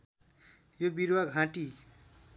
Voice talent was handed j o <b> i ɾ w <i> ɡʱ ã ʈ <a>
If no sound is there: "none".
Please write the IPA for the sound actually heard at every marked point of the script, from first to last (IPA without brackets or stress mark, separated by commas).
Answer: b, a, i